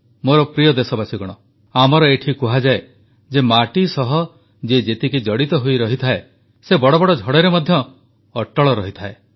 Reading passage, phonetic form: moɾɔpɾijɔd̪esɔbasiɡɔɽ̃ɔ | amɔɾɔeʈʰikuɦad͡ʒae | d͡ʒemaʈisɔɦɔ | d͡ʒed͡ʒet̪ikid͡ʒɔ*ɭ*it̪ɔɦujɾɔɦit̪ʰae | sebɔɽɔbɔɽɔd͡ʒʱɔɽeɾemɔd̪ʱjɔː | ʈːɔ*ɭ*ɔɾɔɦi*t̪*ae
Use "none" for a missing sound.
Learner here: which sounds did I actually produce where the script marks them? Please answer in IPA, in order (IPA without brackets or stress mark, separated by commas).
ɽ, ɭ, t̪ʰ